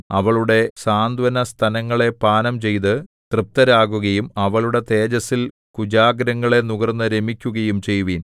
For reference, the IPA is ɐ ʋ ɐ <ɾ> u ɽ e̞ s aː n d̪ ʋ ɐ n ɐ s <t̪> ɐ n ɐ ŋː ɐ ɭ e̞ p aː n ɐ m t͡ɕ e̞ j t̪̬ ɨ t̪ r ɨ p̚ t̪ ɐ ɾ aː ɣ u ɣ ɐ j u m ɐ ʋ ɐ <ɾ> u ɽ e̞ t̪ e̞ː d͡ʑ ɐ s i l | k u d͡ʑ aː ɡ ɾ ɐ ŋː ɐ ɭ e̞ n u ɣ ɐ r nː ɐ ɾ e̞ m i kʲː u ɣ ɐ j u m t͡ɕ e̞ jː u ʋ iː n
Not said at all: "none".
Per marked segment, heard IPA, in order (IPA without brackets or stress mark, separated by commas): ɭ, t̪ʰ, ɭ